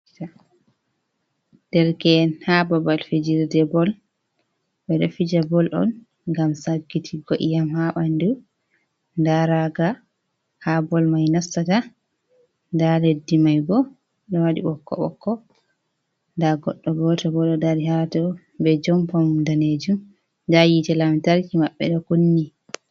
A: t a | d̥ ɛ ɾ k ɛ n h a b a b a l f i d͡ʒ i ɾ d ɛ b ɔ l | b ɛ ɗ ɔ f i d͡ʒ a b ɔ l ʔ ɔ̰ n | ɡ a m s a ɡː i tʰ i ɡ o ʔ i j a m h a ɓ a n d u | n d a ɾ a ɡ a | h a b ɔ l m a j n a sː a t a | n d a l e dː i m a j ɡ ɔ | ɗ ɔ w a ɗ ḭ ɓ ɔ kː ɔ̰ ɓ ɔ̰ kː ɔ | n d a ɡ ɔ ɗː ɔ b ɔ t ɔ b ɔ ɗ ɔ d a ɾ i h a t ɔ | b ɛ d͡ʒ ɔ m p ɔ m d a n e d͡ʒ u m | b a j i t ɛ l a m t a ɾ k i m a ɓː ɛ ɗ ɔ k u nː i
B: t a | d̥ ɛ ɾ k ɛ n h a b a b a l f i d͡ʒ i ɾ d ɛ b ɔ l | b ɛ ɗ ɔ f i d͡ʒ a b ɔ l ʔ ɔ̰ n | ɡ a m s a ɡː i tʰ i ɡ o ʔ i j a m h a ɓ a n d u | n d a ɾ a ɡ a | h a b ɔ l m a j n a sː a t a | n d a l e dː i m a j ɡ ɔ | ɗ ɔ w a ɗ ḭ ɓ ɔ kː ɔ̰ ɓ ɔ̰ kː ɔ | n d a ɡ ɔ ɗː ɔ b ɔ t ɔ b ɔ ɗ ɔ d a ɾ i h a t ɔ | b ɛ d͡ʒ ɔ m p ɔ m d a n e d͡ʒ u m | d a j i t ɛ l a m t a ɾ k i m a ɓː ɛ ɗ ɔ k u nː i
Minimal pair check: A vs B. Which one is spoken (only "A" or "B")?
B